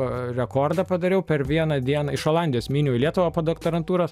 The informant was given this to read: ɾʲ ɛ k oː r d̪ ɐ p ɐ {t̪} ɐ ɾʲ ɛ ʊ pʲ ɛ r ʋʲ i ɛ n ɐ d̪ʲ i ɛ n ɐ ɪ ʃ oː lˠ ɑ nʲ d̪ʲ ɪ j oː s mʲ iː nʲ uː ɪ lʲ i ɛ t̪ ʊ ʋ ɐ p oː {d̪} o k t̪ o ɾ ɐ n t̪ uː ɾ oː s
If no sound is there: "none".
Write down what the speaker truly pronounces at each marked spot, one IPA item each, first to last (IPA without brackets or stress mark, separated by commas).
d̪, d̪